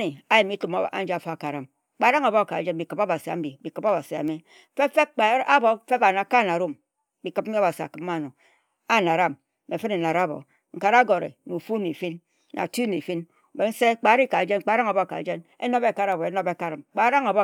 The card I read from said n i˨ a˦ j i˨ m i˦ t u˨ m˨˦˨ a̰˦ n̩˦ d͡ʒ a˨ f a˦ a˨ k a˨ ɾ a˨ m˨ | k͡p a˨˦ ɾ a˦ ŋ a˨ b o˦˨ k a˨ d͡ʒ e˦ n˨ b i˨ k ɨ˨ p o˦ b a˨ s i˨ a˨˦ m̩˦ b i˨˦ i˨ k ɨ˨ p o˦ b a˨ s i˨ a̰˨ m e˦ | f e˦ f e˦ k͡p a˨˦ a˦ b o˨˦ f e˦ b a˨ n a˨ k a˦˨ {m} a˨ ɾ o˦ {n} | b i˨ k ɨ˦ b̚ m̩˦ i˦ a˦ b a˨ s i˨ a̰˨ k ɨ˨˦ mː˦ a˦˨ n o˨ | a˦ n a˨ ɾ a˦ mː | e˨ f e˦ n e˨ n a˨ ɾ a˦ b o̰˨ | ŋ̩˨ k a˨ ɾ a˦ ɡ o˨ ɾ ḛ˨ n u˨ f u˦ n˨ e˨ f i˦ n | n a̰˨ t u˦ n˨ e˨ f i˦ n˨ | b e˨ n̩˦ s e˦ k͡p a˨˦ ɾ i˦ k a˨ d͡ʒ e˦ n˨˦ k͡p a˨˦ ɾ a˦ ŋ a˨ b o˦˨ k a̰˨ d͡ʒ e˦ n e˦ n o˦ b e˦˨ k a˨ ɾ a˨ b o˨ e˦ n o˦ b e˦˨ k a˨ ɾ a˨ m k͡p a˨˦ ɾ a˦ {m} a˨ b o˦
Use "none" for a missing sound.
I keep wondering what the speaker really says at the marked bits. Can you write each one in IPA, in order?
n, m, ŋ

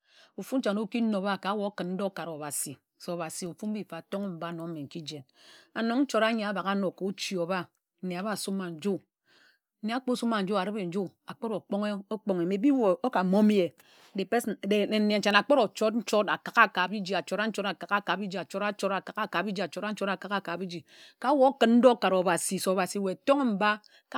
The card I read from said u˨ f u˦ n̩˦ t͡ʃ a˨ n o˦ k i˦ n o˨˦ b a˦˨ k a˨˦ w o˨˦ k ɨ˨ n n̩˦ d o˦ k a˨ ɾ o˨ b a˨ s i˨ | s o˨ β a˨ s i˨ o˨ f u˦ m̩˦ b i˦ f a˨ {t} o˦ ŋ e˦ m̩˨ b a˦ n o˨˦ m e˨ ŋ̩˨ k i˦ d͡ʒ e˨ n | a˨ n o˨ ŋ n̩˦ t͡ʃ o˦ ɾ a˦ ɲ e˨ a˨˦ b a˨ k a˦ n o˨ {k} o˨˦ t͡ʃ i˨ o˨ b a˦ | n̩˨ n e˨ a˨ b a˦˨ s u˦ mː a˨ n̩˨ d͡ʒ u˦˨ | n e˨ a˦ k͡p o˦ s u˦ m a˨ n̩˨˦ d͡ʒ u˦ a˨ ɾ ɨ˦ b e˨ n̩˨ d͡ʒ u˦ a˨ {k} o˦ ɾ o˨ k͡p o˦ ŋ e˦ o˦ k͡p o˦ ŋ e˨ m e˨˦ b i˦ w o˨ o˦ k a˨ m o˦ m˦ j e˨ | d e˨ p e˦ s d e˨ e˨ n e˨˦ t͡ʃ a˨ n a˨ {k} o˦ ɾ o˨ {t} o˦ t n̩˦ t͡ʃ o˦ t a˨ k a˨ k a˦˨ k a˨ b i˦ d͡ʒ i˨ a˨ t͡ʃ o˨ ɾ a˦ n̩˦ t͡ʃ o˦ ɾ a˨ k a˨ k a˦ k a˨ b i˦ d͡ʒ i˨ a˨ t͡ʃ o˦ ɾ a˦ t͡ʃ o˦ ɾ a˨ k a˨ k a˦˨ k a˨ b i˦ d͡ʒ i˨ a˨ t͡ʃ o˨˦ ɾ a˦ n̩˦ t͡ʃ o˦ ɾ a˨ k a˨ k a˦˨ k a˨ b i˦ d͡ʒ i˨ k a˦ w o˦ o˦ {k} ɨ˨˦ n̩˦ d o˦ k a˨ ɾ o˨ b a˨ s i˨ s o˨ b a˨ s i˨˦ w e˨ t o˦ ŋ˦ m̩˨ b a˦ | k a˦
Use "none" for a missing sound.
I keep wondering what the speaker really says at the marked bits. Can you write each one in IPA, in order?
t, k, k͡p, k͡p, t͡ʃ, k

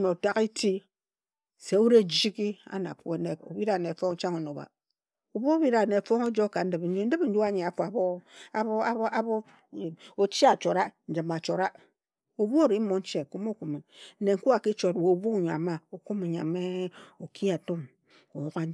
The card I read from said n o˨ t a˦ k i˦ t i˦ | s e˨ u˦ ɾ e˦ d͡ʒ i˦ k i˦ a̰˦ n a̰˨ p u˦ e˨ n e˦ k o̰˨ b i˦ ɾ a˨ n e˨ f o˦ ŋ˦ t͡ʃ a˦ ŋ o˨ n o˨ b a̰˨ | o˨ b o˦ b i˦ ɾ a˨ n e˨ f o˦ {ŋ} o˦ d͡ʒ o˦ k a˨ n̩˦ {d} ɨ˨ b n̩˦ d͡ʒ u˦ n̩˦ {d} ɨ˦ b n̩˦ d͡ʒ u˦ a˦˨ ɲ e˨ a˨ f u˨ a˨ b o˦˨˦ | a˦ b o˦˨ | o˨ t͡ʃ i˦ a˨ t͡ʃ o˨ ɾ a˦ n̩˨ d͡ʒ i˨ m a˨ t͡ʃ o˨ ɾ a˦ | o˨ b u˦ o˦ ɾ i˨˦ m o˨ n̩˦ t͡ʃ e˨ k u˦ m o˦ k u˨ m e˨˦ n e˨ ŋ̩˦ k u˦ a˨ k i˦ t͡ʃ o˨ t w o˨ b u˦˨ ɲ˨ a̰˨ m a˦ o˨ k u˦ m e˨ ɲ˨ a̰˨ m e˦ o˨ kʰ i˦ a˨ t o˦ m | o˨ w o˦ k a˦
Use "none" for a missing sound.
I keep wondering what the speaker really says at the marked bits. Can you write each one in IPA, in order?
ŋ, d, d

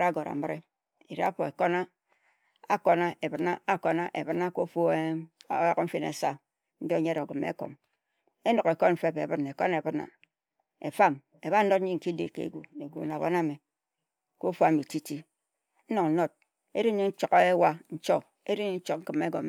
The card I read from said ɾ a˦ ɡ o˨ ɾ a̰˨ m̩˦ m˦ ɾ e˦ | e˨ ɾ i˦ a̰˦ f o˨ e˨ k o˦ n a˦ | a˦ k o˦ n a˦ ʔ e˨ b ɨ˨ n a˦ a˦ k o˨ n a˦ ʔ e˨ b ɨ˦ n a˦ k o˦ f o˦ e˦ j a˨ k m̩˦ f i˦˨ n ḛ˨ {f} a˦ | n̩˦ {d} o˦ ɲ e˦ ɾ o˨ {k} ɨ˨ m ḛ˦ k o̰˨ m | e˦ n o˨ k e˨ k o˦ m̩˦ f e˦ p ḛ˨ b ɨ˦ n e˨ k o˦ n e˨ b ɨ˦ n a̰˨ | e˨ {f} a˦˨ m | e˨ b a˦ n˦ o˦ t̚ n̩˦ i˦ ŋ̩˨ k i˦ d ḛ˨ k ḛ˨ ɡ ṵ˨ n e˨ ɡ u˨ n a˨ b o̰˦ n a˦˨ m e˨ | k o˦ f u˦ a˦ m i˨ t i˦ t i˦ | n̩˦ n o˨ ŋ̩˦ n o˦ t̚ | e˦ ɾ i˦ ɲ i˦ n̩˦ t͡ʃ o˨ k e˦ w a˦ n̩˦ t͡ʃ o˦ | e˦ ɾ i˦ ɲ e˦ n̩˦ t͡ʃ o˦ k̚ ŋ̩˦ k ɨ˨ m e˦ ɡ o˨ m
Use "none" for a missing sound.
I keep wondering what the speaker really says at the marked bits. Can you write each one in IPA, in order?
s, d, ɡ, f

